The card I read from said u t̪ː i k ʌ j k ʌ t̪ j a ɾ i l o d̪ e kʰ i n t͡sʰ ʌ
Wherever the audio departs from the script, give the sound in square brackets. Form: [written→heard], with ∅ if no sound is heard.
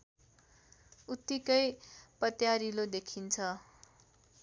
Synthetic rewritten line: u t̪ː i k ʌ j [k→p] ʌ t̪ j a ɾ i l o d̪ e kʰ i n t͡sʰ ʌ

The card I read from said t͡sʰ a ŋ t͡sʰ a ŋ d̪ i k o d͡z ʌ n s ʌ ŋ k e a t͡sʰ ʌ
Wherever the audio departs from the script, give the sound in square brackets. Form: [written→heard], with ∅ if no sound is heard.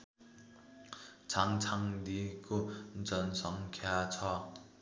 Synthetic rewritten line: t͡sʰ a ŋ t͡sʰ a ŋ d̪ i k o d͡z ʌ n s ʌ ŋ [k→kʰ] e a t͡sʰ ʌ

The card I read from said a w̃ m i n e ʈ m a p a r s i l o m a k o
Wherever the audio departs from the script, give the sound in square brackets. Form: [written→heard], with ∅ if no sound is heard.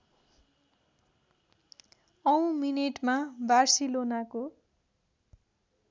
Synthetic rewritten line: [a→ʌ] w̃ m i n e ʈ m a [p→b] a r s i l o [m→n] a k o

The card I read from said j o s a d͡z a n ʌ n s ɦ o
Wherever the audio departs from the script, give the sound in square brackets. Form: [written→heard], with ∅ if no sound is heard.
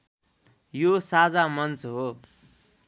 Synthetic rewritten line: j o s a d͡z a [n→m] ʌ n [s→t͡s] ɦ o

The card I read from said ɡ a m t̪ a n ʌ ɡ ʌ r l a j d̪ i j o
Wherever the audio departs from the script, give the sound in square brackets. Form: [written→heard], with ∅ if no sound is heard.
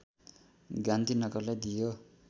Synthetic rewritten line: ɡ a [m→n] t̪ [a→i] n ʌ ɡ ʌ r l a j d̪ i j o

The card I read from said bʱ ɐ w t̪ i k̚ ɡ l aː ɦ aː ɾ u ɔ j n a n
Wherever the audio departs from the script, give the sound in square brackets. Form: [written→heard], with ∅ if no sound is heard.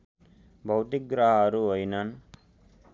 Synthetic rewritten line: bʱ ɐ w t̪ i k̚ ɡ [l→ɾ] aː ɦ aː ɾ u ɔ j n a n

